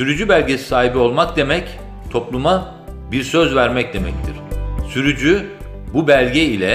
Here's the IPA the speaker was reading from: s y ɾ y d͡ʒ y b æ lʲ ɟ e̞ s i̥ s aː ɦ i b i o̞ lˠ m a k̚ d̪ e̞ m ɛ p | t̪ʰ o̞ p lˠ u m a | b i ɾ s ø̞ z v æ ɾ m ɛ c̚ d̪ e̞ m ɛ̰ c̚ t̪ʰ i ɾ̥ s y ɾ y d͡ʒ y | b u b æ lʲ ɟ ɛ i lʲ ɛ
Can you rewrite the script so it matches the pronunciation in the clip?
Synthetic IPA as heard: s y ɾ y d͡ʒ y b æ lʲ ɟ e̞ s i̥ s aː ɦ i b i o̞ lˠ m a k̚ d̪ e̞ m ɛ c | t̪ʰ o̞ p lˠ u m a | b i ɾ s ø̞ z v æ ɾ m ɛ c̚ d̪ e̞ m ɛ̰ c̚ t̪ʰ i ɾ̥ s y ɾ y d͡ʒ y | b u b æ lʲ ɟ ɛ i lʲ ɛ

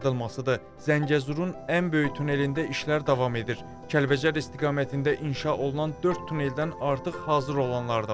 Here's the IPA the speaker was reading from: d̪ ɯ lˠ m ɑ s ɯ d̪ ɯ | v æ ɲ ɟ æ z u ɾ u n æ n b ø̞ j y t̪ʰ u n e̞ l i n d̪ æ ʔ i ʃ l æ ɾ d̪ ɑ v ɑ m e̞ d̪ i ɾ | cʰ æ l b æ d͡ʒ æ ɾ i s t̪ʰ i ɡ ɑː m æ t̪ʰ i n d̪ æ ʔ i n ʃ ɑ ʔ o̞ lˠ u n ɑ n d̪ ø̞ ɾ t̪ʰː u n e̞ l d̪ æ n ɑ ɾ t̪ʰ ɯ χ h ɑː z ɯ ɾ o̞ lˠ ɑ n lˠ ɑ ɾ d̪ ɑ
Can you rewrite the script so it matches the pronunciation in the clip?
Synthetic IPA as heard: d̪ ɯ lˠ m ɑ s ɯ d̪ ɯ | z æ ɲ ɟ æ z u ɾ u n æ n b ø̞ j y t̪ʰ u n e̞ l i n d̪ æ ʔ i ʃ l æ ɾ d̪ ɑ v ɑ m e̞ d̪ i ɾ | cʰ æ l b æ d͡ʒ æ ɾ i s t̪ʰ i ɡ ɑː m æ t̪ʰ i n d̪ æ ʔ i n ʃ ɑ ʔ o̞ lˠ u n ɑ n d̪ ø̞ ɾ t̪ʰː u n e̞ l d̪ æ n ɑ ɾ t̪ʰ ɯ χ h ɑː z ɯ ɾ o̞ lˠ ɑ n lˠ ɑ ɾ d̪ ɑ

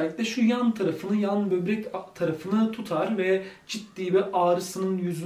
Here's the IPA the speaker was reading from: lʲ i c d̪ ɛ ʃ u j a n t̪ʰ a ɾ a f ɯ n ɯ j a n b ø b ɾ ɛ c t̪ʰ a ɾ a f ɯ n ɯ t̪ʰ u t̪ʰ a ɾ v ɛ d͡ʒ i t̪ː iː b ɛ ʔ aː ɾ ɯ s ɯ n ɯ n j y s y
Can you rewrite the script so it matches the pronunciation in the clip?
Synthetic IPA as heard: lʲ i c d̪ ɛ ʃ u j a n t̪ʰ a ɾ a f ɯ n ɯ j a n b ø b ɾ ɛ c t̪ʰ a ɾ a f ɯ n ɯ t̪ʰ u t̪ʰ a ɾ v ɛ d͡ʒ i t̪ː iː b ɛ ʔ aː ɾ ɯ s ɯ n ɯ n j y z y

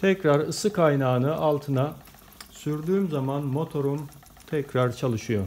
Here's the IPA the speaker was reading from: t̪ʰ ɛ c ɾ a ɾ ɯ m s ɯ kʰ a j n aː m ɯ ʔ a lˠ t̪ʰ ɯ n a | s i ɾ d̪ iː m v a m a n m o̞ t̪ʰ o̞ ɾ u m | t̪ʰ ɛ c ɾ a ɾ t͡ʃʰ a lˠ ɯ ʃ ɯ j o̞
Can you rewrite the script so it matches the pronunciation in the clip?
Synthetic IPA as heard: t̪ʰ ɛ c ɾ a ɾ ɯ s ɯ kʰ a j n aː n ɯ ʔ a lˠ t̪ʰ ɯ n a | s y ɾ d̪ yː m z a m a n m o̞ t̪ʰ o̞ ɾ u m | t̪ʰ ɛ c ɾ a ɾ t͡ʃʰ a lˠ ɯ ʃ ɯ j o̞

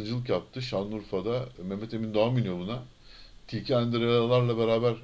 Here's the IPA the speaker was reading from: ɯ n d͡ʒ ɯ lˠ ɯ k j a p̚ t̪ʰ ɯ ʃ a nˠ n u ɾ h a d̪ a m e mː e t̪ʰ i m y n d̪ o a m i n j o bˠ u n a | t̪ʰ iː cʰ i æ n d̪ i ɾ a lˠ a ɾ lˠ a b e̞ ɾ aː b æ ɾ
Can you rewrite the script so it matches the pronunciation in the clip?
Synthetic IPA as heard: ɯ n d͡ʒ ɯ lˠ ɯ k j a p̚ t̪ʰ ɯ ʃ a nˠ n u ɾ f a d̪ a m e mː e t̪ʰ e m i n d̪ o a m i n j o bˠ u n a | t̪ʰ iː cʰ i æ n d̪ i ɾ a lˠ a ɾ lˠ a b e̞ ɾ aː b æ ɾ

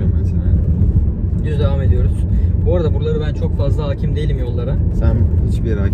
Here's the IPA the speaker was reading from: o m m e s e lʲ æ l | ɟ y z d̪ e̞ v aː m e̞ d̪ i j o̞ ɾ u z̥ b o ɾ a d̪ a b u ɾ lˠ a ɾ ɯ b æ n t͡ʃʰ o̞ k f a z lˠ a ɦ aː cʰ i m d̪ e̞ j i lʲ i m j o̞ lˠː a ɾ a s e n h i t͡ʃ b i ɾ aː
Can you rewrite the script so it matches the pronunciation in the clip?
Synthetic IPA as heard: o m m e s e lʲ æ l | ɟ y z d̪ e̞ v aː m e̞ d̪ i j o̞ ɾ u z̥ b o ɾ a d̪ a b u ɾ lˠ a ɾ ɯ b æ n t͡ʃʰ o̞ k f a z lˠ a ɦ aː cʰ i m d̪ e̞ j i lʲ i m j o̞ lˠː a ɾ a s æ n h i t͡ʃ b i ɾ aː

